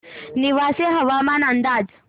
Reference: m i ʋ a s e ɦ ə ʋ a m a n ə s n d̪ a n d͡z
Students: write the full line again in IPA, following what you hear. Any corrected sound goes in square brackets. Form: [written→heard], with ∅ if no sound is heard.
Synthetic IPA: [m→n] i ʋ a s e ɦ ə ʋ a m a n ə [s→∅] n d̪ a [n→∅] d͡z